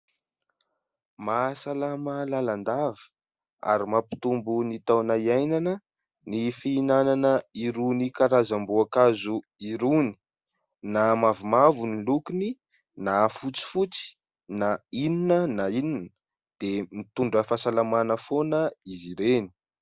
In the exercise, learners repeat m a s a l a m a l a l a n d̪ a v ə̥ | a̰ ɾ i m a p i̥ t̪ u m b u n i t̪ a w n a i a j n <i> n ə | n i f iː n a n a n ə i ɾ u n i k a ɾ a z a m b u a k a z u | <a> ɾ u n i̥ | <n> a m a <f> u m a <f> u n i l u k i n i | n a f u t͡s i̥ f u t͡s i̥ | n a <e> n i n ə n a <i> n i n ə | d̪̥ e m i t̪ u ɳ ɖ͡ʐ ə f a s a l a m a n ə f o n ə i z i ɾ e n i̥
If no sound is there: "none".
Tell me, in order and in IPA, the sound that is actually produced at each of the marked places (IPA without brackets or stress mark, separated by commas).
a, i, n, v, v, i, i